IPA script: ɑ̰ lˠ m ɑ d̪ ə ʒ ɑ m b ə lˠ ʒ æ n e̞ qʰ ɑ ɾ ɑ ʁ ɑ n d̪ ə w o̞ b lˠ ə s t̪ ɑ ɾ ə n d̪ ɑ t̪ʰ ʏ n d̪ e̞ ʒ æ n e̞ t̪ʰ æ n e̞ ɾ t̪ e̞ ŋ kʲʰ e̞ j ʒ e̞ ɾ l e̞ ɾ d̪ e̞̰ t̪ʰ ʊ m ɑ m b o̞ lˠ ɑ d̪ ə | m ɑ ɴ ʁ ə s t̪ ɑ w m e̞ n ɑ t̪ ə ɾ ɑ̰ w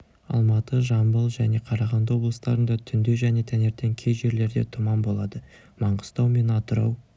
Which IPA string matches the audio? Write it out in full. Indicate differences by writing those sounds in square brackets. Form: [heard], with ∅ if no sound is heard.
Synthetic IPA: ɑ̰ lˠ m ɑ [t̪] ə ʒ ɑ m b ə lˠ ʒ æ n e̞ qʰ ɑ ɾ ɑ ʁ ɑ n d̪ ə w o̞ b lˠ ə s t̪ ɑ ɾ ə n d̪ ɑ t̪ʰ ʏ n d̪ e̞ ʒ æ n e̞ t̪ʰ æ n e̞ ɾ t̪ e̞ ŋ kʲʰ e̞ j ʒ e̞ ɾ l e̞ ɾ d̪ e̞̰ t̪ʰ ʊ m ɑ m b o̞ lˠ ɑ d̪ ə | m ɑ ɴ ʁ ə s t̪ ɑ w m e̞ n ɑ t̪ ə ɾ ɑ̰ w